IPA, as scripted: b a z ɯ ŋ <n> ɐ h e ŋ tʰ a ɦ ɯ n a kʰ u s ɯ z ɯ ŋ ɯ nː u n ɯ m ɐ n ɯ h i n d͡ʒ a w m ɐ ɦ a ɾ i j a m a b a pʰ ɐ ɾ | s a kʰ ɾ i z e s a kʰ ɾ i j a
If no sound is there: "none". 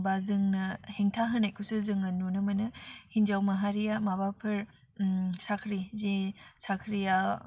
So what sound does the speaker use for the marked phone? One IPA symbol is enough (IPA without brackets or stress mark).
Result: n